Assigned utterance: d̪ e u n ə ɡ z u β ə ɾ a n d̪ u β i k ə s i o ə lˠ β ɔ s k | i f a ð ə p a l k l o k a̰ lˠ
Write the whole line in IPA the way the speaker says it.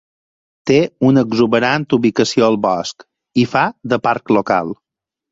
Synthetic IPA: t̪ e u n ə ɡ z u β ə ɾ a n t̪ u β i k ə s i o ə lˠ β ɔ s k | i f a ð ə p a ɾ k l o k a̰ lˠ